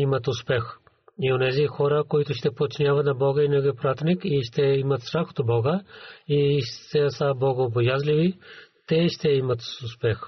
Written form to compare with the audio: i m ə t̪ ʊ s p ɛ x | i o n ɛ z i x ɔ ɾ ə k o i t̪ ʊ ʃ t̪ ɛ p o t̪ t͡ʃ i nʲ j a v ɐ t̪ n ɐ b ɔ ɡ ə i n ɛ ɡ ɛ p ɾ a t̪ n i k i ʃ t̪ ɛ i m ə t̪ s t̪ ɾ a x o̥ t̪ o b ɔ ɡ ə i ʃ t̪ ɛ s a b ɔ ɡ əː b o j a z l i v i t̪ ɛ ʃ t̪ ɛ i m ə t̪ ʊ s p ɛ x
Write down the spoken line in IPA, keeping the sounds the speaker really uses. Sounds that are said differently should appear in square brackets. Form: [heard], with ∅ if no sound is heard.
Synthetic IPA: i m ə t̪ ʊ s p ɛ x | i o n ɛ z i x ɔ ɾ ə k o i t̪ ʊ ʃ t̪ ɛ p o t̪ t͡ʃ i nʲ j a v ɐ t̪ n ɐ b ɔ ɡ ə i n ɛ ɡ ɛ p ɾ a t̪ n i k i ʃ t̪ ɛ i m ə t̪ s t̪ ɾ a x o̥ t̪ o b ɔ ɡ ə i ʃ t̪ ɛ s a b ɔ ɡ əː b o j a z l i v i t̪ ɛ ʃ t̪ ɛ i m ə t̪ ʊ s p ɛ x